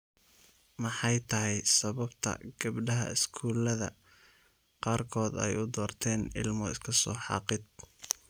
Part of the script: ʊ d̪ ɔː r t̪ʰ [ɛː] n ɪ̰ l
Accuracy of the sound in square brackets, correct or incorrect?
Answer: correct